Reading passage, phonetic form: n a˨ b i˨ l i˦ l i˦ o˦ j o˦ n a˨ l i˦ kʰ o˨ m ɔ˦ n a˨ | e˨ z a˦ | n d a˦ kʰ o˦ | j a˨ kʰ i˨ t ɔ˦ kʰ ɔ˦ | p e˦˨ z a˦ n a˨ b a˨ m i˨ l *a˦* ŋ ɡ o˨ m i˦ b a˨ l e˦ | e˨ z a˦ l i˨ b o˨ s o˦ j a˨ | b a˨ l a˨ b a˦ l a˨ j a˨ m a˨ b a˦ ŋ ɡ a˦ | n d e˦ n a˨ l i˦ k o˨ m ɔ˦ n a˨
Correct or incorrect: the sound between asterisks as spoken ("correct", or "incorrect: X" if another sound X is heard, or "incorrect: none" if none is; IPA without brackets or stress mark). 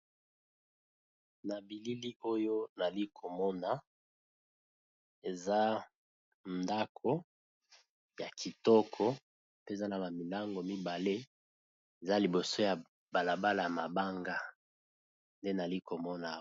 correct